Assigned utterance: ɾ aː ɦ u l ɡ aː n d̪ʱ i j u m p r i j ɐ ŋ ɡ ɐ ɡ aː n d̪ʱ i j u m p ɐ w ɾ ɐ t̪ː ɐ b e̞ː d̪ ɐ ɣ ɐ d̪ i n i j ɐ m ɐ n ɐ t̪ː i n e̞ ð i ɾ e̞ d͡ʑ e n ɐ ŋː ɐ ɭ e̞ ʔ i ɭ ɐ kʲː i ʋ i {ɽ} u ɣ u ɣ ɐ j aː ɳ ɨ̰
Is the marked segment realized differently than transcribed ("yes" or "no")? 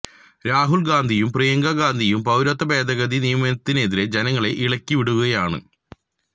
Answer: no